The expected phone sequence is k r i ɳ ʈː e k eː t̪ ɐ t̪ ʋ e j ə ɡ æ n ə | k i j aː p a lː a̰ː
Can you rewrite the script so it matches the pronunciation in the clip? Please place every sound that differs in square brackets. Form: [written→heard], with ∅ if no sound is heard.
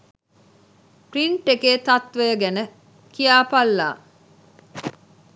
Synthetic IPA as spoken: [k→p] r i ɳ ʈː e k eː t̪ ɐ t̪ ʋ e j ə ɡ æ n ə | k i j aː p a lː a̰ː